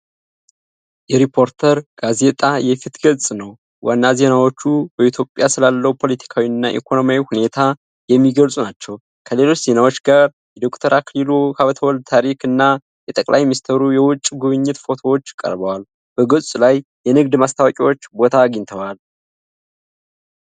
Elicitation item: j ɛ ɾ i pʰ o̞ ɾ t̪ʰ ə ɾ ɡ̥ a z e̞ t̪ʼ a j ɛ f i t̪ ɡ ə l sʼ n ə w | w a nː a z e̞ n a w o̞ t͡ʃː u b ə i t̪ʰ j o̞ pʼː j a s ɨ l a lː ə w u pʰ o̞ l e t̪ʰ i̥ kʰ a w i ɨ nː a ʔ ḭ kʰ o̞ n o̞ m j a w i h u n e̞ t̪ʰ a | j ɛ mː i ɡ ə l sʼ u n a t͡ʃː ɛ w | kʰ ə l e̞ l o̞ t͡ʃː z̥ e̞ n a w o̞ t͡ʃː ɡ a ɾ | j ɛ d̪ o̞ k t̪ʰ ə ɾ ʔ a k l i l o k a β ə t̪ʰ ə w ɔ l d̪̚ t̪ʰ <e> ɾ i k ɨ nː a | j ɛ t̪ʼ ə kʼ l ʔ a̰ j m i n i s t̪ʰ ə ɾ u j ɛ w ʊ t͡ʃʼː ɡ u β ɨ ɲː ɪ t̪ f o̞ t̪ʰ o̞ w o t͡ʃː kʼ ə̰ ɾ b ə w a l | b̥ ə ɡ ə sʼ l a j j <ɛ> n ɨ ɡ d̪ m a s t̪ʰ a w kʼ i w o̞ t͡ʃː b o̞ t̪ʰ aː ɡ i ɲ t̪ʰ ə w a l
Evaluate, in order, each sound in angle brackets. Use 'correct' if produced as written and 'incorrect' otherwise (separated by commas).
incorrect, correct